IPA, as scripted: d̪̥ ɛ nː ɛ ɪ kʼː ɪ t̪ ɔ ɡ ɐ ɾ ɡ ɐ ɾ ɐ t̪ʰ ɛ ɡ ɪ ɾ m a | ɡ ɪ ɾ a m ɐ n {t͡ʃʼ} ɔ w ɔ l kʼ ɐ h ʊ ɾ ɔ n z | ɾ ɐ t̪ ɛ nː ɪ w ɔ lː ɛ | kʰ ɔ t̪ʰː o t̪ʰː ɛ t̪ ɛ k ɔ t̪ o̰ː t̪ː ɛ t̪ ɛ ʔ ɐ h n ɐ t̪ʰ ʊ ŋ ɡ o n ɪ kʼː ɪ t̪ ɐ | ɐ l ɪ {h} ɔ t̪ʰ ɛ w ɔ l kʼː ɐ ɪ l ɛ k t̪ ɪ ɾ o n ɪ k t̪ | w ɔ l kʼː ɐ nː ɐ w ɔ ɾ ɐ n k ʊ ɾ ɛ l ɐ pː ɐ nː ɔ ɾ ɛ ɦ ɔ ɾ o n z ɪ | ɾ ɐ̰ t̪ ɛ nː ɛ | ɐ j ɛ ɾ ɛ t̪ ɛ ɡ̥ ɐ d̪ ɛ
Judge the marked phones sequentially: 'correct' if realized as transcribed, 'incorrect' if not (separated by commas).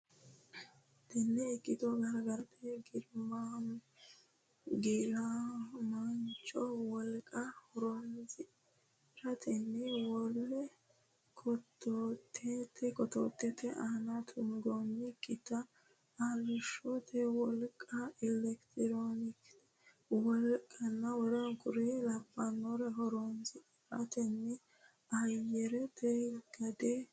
correct, incorrect